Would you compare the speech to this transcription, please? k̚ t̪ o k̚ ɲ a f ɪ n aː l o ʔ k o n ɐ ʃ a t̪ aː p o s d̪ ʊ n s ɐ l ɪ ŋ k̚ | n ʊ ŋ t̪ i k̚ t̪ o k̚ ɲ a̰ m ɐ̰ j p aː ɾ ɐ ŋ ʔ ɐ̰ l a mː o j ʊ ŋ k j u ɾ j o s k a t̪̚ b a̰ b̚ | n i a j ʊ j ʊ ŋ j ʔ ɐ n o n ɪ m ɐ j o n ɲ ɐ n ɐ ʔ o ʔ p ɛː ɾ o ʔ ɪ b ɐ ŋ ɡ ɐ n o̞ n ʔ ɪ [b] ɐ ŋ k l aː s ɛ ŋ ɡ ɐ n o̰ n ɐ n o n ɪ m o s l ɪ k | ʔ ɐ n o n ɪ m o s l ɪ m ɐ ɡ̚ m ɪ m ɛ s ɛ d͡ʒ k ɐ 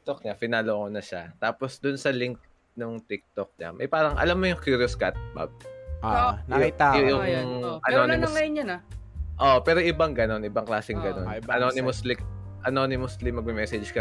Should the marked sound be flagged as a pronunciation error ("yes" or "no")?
no